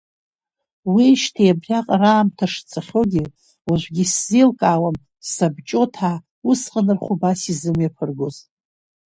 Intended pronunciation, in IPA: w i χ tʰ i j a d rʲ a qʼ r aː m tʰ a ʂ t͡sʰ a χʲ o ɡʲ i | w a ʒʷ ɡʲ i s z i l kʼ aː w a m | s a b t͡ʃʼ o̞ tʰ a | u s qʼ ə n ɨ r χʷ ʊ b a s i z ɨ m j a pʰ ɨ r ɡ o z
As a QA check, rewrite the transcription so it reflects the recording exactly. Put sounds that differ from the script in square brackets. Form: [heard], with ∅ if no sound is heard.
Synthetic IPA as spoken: w i [ʃ] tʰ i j a [b] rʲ a qʼ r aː m tʰ a ʂ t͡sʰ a χʲ o ɡʲ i | w a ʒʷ ɡʲ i s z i l kʼ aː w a m | s a b t͡ʃʼ o̞ tʰ a | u s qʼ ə n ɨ r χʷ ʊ b a s i z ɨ m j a pʰ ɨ r ɡ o z